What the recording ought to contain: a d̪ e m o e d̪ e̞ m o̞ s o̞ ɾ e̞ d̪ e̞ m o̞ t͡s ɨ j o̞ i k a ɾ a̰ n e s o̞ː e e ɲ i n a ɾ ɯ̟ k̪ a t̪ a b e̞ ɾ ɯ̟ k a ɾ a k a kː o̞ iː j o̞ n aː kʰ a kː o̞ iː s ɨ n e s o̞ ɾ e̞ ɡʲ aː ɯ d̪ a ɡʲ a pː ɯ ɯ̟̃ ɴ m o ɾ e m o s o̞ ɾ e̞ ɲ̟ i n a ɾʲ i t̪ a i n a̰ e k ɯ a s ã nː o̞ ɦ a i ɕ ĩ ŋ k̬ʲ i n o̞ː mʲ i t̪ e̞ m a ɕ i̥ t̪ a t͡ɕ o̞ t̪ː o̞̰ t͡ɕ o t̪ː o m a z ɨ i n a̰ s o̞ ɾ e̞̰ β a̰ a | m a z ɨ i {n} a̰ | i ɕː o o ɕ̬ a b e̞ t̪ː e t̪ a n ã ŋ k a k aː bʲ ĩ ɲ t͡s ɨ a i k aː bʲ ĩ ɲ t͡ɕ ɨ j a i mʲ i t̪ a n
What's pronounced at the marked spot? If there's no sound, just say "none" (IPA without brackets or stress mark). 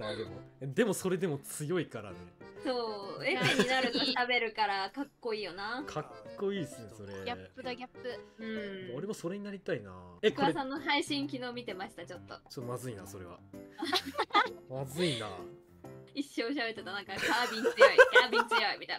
n